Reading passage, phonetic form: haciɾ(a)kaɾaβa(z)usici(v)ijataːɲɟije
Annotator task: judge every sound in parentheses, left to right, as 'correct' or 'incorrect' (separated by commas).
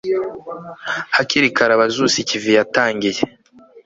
incorrect, correct, correct